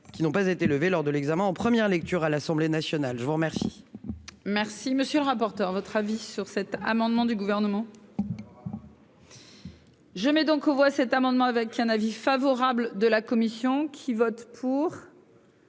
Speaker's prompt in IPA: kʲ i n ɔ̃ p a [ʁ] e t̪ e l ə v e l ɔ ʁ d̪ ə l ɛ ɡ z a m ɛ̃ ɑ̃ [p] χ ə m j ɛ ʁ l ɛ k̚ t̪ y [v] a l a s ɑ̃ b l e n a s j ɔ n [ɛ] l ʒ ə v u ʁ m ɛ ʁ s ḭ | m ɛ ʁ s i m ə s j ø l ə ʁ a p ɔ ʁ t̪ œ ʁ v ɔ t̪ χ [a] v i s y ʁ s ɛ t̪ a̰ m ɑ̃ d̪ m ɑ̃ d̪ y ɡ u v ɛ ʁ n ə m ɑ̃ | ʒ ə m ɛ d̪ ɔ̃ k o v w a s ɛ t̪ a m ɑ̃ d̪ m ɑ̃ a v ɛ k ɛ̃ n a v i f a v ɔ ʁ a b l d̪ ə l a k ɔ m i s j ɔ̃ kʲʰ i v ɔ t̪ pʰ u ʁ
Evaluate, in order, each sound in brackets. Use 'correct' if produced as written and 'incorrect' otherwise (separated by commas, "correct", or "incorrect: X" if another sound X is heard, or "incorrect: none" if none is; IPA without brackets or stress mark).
incorrect: z, correct, incorrect: ʁ, incorrect: a, correct